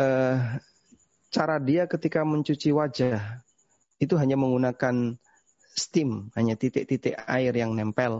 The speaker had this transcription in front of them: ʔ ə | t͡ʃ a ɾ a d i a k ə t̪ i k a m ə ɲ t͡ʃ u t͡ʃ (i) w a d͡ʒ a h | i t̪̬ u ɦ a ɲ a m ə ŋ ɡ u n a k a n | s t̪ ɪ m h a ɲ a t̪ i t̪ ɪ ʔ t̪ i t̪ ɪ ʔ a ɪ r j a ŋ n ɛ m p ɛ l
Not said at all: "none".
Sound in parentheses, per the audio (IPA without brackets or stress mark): i